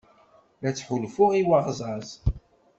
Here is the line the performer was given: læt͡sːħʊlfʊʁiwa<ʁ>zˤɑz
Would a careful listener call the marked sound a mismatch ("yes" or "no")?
no